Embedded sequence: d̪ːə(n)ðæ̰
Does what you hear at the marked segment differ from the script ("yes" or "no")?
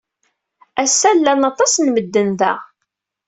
no